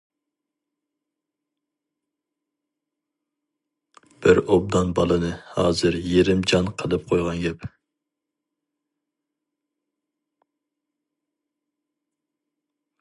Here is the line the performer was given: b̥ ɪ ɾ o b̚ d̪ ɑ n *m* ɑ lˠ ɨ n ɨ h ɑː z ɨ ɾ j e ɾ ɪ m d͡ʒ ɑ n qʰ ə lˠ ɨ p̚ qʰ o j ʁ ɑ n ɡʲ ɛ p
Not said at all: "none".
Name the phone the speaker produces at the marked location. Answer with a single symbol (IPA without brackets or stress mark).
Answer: b